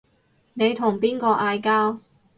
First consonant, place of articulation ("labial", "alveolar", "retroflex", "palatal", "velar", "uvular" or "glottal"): alveolar